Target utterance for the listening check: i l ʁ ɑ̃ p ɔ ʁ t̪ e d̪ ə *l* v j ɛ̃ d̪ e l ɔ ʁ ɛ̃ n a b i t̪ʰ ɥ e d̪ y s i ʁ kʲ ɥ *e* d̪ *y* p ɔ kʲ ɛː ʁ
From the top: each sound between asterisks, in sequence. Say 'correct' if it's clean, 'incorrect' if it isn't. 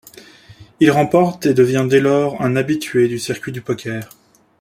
incorrect: none, incorrect: i, correct

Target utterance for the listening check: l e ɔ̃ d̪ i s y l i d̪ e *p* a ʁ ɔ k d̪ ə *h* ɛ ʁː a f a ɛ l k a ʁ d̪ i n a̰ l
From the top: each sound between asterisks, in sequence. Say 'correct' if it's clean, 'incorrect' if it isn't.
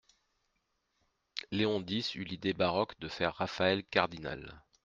incorrect: b, incorrect: f

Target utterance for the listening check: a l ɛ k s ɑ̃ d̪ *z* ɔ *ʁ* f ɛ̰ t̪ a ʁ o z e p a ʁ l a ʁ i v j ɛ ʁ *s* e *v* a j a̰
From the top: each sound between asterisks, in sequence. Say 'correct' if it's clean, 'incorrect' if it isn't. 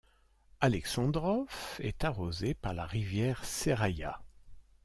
incorrect: ʁ, incorrect: none, correct, incorrect: ʁ

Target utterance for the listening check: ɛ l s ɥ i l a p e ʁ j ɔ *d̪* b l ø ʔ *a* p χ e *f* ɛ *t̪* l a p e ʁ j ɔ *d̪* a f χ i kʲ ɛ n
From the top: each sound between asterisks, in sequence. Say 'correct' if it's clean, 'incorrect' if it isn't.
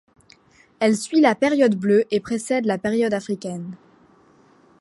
correct, incorrect: e, incorrect: s, incorrect: d̪, correct

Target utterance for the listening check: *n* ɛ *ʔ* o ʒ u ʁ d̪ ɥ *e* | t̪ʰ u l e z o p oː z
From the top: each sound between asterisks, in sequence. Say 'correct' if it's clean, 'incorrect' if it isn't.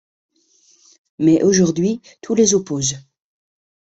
incorrect: m, correct, incorrect: i

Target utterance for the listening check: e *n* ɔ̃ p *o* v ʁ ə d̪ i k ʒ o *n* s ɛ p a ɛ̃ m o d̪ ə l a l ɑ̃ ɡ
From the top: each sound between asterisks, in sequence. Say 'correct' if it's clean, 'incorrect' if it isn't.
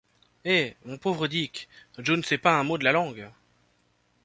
incorrect: m, correct, correct

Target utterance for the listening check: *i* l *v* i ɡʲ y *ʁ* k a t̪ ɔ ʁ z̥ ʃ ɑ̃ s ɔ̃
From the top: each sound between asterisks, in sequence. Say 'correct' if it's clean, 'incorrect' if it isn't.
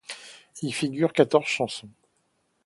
correct, incorrect: f, correct

